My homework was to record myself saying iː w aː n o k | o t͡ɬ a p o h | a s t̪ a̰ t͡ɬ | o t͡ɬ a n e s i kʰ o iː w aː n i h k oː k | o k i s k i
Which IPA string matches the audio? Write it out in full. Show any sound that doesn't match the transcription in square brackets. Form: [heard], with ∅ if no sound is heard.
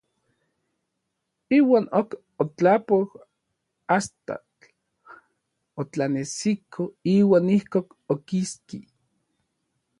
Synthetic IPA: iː w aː n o k | o t͡ɬ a p o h | a s t̪ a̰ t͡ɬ | o t͡ɬ a n e s i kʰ o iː w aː n i h k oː k | o k i s k i